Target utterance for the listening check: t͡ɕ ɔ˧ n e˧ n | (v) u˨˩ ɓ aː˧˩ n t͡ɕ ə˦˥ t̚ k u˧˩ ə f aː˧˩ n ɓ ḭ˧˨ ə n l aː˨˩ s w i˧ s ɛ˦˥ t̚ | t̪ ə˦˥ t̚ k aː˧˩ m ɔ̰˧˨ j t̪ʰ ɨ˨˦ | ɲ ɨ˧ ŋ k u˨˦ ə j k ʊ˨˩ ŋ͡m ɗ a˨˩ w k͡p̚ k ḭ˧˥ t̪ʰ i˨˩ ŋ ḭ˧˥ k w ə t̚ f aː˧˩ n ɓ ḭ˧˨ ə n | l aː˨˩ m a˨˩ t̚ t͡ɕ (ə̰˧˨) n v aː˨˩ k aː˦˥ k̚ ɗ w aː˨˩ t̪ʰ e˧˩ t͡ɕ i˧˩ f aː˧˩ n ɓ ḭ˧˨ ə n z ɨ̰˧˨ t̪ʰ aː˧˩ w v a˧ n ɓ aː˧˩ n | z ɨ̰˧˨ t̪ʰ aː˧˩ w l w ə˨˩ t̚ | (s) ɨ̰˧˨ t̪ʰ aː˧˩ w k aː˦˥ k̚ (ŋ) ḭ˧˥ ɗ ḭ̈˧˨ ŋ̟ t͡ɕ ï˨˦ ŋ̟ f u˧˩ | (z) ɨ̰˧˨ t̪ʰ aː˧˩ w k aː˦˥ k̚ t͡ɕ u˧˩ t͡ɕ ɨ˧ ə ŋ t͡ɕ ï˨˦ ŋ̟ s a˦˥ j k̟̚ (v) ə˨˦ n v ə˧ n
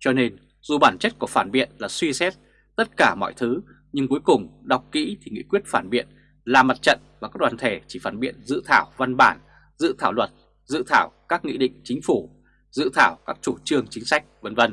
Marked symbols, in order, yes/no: no, yes, no, yes, yes, yes

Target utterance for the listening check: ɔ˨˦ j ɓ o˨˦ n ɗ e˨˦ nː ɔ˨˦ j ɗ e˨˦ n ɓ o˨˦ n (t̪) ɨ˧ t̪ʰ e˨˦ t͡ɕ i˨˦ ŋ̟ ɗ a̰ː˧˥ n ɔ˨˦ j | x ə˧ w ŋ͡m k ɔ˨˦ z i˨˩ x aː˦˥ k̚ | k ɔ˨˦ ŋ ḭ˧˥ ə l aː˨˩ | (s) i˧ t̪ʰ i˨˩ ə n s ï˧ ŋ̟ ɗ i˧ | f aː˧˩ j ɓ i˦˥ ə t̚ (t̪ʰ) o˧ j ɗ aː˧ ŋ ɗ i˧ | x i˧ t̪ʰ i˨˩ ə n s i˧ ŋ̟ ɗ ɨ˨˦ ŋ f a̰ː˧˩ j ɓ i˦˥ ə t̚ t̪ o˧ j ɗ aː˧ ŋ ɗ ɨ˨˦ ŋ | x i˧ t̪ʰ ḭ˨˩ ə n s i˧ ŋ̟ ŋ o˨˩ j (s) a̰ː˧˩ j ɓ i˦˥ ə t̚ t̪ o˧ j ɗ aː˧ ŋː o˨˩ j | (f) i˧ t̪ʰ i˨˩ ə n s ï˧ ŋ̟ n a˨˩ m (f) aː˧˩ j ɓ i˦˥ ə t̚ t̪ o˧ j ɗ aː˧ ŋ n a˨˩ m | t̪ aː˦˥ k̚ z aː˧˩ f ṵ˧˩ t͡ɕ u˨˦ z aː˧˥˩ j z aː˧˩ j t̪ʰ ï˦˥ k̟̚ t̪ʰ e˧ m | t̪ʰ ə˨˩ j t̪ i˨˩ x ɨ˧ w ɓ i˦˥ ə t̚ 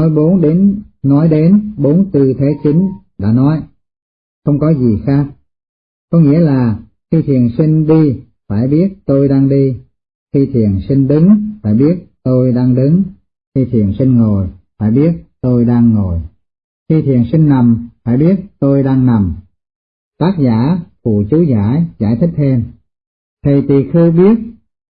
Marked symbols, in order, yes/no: yes, no, no, no, no, yes

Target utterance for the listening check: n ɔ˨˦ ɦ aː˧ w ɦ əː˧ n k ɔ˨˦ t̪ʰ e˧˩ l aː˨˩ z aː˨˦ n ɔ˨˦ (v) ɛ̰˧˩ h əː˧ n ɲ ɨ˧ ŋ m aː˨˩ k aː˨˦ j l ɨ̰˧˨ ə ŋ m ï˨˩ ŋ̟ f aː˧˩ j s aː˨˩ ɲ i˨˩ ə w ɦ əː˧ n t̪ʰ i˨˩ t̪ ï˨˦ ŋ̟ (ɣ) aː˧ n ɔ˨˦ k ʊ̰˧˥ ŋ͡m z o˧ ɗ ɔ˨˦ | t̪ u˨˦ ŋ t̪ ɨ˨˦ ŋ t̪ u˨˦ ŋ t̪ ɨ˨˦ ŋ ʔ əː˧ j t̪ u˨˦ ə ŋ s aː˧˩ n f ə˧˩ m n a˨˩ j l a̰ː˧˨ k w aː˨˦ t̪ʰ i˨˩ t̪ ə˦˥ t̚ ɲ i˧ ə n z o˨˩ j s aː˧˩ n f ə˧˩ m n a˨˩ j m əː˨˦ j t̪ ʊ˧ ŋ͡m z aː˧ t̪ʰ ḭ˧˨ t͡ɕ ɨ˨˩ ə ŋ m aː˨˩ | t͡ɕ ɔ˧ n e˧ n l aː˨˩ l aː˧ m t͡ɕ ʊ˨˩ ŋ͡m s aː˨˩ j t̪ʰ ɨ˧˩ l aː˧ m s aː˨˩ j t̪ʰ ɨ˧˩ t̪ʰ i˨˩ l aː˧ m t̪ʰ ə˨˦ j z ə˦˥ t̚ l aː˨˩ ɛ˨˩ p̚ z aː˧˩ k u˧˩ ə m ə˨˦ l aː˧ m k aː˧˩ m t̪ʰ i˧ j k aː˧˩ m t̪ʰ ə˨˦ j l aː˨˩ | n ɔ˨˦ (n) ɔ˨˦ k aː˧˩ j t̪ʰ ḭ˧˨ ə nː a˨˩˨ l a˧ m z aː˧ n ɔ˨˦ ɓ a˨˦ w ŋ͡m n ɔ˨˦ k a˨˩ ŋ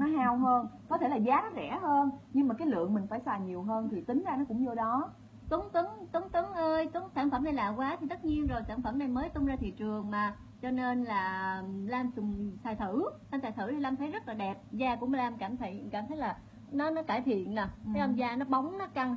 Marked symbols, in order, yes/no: no, no, yes

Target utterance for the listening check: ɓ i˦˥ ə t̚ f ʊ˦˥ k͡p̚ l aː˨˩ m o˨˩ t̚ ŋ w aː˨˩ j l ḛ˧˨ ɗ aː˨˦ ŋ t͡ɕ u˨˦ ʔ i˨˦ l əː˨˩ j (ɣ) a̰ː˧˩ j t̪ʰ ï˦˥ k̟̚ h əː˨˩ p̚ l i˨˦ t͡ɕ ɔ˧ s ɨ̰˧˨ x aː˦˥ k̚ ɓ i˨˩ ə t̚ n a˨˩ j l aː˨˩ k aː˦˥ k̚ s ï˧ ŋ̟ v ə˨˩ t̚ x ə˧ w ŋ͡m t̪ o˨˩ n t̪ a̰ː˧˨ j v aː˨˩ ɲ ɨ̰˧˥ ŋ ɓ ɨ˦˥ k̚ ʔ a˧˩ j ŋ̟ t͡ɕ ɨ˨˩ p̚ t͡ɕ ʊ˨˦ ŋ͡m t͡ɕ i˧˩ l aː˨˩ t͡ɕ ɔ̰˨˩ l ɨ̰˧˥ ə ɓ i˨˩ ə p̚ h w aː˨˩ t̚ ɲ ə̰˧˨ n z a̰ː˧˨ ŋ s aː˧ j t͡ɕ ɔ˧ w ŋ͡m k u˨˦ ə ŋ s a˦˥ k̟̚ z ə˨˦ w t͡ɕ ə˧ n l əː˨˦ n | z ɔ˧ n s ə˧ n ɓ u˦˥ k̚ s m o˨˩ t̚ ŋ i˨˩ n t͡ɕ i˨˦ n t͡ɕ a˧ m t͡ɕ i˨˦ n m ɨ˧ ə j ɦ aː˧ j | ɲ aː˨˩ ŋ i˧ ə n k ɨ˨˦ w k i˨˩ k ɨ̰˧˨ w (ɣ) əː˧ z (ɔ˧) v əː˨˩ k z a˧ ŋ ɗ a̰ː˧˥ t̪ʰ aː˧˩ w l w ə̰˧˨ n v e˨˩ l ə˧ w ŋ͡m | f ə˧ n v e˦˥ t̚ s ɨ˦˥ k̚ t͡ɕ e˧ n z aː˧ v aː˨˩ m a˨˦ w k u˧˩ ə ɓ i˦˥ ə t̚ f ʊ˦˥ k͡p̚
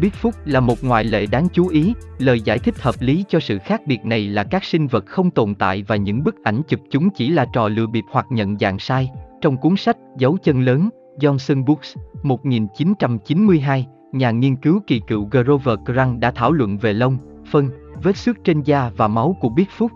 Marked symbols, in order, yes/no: no, yes, no

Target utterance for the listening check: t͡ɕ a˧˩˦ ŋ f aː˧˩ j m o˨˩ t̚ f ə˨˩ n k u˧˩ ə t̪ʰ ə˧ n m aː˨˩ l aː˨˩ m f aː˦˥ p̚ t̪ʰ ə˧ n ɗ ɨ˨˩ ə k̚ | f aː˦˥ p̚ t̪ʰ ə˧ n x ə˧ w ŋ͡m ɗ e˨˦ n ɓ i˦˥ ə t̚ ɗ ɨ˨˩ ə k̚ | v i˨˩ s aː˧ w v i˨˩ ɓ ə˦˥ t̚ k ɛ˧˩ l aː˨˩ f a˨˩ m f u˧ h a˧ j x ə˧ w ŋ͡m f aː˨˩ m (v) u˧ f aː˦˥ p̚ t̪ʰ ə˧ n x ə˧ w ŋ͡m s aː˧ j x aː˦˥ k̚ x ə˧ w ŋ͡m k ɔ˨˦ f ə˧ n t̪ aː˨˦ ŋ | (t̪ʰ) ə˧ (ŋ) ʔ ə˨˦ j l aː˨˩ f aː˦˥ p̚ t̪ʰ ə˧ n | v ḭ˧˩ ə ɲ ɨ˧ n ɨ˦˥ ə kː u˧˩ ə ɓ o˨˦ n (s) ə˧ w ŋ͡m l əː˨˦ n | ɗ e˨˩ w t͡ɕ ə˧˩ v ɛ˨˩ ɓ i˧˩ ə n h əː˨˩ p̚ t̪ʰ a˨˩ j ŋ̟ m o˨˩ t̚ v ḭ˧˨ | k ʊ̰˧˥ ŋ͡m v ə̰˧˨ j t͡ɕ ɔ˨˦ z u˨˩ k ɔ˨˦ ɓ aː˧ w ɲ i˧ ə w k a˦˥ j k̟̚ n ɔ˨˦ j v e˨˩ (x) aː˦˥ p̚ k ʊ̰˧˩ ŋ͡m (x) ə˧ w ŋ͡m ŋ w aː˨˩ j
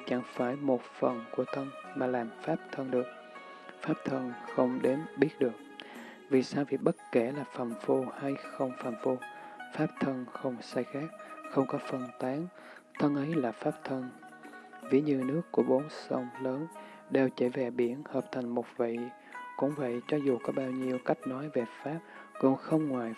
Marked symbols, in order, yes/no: no, yes, no, yes, no, yes

